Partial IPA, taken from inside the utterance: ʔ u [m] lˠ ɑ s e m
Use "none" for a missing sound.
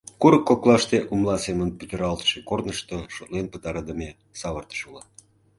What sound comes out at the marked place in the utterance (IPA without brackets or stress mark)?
m